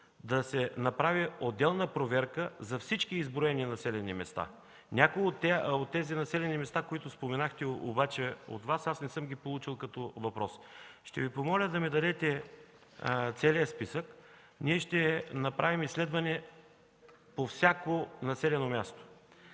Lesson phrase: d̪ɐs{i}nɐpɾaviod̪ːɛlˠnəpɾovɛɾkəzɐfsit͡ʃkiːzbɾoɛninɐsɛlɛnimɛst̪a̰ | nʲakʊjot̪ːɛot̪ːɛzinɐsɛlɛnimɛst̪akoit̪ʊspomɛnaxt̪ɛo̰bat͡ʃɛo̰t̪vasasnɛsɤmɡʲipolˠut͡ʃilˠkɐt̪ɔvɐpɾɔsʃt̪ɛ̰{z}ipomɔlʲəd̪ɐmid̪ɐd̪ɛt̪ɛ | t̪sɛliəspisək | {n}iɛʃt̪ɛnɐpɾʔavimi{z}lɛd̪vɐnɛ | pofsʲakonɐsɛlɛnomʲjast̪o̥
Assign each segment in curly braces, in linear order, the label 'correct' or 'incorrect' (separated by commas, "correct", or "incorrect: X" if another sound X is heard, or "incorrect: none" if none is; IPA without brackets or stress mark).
incorrect: ɛ, incorrect: v, correct, incorrect: s